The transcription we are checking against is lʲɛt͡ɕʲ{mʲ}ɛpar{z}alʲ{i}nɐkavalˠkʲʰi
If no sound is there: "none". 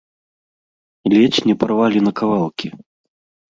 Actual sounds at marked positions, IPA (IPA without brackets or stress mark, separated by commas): nʲ, v, i